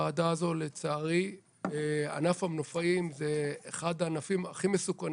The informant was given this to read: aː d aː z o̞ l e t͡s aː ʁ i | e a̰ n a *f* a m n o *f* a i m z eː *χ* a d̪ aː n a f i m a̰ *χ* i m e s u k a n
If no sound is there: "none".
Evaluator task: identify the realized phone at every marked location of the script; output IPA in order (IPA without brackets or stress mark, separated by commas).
f, f, χ, χ